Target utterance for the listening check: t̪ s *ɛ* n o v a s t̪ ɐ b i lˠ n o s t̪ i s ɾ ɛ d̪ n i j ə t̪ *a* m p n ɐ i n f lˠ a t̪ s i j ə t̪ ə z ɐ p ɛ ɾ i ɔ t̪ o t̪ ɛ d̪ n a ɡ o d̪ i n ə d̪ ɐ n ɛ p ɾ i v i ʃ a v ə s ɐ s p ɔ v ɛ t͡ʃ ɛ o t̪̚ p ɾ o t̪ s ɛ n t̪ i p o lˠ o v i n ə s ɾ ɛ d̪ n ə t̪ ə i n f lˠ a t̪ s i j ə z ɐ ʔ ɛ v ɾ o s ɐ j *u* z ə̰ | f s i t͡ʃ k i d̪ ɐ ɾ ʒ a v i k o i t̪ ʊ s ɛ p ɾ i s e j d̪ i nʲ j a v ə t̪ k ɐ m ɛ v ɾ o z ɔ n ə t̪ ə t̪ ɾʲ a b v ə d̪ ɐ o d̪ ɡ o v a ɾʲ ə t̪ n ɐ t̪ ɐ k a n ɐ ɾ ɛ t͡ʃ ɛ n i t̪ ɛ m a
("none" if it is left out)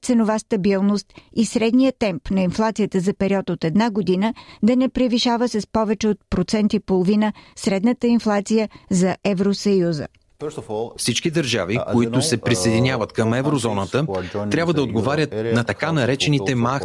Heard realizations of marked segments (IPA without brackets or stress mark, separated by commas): ɛ, ɛ, u